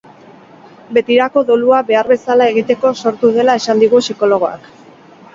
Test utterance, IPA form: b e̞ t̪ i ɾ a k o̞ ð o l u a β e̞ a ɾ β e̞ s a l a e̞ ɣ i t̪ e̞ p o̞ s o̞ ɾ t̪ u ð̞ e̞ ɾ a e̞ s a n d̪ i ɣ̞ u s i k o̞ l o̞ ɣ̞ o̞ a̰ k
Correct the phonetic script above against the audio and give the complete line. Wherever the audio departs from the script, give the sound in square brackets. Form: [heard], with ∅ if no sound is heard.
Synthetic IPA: b e̞ t̪ i ɾ a k o̞ ð o l u a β e̞ a ɾ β e̞ s a l a e̞ ɣ i t̪ e̞ [k] o̞ s o̞ ɾ t̪ u ð̞ e̞ [l] a e̞ s a n d̪ i ɣ̞ u s i k o̞ l o̞ ɣ̞ o̞ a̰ k